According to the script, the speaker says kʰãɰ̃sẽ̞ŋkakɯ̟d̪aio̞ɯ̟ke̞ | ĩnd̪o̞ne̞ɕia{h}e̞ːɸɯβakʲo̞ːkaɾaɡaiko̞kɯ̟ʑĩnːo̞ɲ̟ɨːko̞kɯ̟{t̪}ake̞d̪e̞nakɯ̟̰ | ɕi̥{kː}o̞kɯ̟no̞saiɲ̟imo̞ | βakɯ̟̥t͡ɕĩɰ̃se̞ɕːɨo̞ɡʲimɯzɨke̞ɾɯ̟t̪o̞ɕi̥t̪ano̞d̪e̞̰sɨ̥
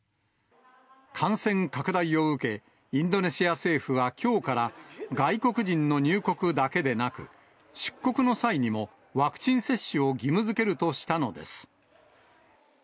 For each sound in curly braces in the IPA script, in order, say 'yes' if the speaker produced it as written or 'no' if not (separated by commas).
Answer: no, no, yes